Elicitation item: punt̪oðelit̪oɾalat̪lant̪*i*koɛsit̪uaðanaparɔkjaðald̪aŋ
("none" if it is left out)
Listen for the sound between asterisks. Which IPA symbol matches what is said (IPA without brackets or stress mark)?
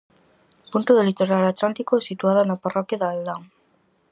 i